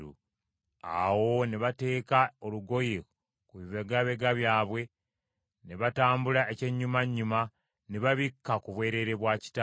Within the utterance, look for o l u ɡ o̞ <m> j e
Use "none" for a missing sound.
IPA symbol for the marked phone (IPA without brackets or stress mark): none